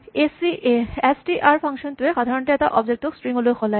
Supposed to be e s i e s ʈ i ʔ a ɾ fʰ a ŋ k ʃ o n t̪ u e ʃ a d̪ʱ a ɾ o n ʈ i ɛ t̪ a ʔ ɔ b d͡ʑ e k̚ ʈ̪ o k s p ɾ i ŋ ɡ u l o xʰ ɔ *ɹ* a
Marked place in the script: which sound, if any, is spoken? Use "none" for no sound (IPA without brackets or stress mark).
l